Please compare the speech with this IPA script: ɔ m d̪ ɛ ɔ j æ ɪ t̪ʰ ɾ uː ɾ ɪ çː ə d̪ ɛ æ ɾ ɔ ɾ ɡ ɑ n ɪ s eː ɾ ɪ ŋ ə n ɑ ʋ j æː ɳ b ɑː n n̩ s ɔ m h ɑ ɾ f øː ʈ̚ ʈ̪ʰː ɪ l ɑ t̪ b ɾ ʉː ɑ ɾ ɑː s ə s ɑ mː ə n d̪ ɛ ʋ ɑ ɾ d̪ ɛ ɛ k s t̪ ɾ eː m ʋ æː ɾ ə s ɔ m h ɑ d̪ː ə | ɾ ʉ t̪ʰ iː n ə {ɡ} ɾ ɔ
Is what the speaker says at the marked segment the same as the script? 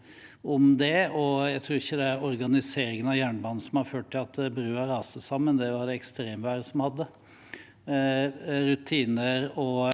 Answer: no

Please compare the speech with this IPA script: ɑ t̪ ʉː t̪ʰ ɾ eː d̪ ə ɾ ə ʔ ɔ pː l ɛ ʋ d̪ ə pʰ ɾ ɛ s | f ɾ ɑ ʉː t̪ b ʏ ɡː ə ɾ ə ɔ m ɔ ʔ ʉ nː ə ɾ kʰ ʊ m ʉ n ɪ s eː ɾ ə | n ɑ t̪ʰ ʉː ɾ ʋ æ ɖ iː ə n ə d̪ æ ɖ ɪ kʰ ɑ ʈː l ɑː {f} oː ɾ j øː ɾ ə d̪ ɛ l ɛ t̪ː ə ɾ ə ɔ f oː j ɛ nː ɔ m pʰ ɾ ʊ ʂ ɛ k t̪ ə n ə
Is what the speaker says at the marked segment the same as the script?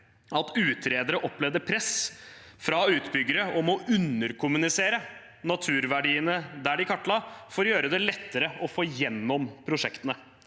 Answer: yes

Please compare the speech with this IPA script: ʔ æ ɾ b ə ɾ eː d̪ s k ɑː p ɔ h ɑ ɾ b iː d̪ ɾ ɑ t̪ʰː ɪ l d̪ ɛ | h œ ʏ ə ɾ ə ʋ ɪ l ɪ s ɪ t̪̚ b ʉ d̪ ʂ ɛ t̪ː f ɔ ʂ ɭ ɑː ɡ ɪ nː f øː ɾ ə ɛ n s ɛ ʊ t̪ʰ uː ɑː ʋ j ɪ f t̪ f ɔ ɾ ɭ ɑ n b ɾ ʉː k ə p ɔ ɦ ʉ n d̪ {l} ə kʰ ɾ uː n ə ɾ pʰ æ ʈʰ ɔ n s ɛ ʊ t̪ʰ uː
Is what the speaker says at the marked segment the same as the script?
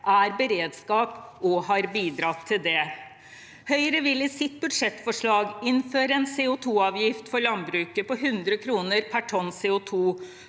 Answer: no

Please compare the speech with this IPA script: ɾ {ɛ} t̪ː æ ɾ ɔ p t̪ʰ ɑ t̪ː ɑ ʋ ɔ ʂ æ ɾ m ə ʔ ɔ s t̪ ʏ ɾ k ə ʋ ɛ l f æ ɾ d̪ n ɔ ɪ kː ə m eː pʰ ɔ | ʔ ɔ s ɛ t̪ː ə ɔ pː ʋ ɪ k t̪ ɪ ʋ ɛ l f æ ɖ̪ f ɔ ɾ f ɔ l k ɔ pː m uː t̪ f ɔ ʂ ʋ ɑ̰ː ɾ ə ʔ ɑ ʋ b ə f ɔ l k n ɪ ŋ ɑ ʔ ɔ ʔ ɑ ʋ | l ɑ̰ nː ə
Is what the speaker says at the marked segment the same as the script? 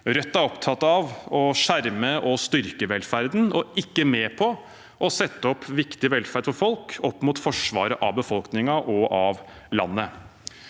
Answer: no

